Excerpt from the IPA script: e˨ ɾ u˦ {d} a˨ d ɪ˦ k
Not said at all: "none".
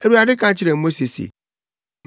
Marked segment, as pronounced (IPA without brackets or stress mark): none